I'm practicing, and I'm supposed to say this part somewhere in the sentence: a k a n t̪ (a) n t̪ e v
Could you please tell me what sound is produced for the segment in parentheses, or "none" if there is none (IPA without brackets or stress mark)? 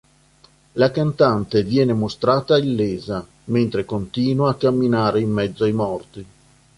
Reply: a